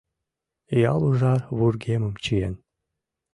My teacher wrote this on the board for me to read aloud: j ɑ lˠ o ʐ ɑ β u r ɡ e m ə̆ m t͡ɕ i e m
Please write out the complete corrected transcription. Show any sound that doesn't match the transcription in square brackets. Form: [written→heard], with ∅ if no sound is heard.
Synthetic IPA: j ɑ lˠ [o→u] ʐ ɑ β u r ɡ e m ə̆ m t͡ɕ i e [m→n]